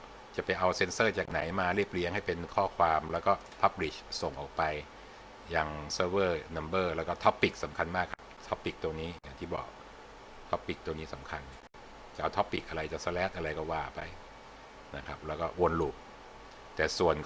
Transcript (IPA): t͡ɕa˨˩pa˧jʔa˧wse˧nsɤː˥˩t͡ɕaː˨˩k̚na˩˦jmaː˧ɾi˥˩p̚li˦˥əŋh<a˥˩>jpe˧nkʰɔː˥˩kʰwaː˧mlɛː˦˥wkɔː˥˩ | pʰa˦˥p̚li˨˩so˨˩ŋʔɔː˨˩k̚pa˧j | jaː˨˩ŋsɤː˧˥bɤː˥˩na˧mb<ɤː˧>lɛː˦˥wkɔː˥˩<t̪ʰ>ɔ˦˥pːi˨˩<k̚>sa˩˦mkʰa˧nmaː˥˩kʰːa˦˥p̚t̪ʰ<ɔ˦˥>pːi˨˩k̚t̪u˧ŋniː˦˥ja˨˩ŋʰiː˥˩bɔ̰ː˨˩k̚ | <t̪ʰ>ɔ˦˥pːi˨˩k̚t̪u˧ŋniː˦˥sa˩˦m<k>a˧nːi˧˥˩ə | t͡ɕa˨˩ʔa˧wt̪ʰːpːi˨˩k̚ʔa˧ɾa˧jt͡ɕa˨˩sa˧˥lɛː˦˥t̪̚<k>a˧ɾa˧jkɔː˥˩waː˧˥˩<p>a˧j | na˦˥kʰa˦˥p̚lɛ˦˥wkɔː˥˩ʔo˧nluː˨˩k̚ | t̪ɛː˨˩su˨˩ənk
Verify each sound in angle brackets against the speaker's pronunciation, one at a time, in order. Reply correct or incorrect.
correct, incorrect: ɤː˥˩, correct, correct, correct, correct, incorrect: kʰ, incorrect: ʔ, correct

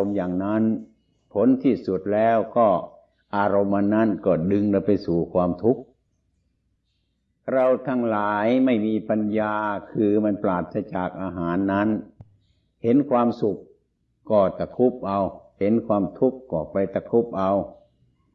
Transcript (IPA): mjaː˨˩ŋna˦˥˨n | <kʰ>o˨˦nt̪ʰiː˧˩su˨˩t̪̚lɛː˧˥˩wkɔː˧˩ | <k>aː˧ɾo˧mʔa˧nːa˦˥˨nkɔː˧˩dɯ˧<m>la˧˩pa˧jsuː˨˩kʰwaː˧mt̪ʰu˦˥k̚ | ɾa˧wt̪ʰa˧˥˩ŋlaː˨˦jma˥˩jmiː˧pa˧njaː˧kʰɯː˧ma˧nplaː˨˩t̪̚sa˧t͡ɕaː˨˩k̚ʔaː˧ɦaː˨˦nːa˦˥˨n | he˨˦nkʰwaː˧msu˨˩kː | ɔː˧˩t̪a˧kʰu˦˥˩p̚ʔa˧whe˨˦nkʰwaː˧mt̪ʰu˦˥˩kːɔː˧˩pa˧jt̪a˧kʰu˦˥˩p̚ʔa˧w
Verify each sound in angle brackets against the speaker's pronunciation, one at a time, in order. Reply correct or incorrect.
incorrect: pʰ, incorrect: ʔ, incorrect: ŋ

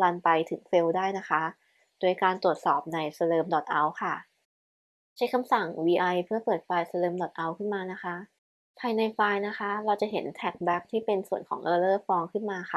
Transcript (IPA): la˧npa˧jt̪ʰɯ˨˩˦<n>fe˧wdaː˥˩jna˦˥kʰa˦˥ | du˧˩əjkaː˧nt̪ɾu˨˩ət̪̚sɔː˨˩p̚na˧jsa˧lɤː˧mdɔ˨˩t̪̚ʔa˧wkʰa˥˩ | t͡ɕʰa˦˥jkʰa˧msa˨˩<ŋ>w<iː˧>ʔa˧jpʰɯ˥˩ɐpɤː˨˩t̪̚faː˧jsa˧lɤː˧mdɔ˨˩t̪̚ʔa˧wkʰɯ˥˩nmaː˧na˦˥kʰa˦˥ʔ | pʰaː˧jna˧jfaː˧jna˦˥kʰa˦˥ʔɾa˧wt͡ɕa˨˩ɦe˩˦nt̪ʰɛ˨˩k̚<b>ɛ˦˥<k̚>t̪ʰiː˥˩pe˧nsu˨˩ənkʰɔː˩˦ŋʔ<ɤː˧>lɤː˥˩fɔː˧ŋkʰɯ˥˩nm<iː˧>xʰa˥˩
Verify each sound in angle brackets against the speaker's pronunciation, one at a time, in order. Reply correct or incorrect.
incorrect: ŋ, correct, correct, correct, correct, correct, incorrect: aː˧

